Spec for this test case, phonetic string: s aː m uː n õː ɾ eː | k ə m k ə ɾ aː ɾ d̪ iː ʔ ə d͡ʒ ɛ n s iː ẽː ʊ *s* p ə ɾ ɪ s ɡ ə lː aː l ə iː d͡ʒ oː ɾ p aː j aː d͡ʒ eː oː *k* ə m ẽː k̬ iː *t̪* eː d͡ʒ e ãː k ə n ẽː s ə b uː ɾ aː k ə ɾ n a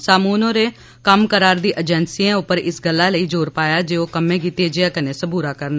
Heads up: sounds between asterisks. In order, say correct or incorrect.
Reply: incorrect: none, correct, correct

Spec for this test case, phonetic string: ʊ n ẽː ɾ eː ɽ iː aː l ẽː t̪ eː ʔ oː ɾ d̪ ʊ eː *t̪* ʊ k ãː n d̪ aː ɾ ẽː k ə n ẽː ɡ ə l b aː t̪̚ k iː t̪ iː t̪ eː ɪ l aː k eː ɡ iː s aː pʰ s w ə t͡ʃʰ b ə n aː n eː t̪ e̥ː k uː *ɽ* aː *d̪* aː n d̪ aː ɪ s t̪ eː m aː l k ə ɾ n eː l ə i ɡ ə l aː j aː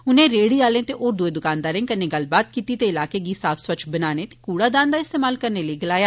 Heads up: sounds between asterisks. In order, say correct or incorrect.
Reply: incorrect: d̪, correct, correct

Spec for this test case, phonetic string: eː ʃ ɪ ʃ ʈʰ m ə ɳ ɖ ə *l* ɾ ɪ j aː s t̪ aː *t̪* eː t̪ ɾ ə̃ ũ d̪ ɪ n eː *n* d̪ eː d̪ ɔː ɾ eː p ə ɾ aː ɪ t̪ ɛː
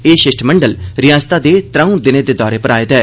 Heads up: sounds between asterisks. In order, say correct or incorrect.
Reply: correct, incorrect: d̪, incorrect: none

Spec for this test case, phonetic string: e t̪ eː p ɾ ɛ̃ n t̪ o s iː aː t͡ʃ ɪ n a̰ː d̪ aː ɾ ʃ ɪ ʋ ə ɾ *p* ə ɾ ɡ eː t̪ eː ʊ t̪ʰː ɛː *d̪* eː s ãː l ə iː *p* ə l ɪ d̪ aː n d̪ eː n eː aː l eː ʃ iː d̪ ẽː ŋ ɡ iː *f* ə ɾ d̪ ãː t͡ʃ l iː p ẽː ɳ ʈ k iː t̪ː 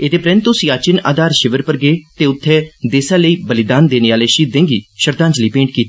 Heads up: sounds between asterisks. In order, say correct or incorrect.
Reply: correct, correct, incorrect: b, incorrect: ʃ

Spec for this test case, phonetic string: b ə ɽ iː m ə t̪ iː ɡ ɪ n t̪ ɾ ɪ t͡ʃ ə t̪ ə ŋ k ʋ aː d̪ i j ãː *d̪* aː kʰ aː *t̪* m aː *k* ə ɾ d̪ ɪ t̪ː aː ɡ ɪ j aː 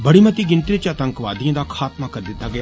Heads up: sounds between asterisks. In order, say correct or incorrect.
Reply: correct, correct, correct

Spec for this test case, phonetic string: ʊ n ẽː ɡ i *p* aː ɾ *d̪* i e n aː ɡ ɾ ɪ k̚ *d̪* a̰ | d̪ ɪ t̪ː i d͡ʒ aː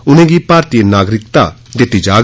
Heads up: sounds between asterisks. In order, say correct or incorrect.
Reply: correct, incorrect: t̪, incorrect: t̪

